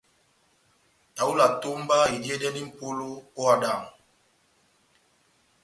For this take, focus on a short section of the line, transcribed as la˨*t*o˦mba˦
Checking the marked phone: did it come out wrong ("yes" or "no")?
no